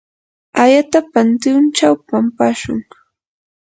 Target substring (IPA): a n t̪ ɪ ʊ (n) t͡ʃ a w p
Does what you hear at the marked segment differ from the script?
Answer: no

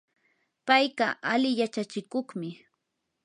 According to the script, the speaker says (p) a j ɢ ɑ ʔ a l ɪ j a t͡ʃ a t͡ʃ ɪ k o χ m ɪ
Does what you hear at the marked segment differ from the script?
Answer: no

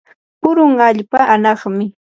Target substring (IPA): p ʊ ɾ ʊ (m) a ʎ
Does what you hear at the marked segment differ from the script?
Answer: yes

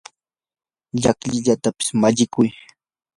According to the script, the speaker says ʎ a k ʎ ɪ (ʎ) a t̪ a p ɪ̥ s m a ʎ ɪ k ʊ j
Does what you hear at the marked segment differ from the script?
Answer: no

